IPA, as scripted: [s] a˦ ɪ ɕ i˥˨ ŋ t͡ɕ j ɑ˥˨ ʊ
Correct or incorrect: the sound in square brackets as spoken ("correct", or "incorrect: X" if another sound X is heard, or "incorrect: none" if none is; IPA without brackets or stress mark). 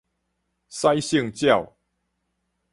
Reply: correct